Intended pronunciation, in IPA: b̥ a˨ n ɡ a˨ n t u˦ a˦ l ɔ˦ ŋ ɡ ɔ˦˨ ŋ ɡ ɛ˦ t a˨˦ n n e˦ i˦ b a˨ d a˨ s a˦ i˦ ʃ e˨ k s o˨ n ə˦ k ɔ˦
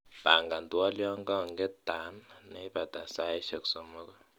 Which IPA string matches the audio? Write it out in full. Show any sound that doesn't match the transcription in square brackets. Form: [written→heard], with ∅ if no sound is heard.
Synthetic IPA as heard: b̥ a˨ [n→ŋ] ɡ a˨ n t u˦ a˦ l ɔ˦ ŋ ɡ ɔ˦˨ ŋ ɡ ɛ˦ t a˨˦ n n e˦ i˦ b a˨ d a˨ s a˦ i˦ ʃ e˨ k s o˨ [n→m] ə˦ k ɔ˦